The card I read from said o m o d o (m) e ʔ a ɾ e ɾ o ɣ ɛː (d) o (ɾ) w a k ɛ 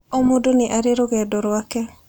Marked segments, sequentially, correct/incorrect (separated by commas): incorrect, correct, correct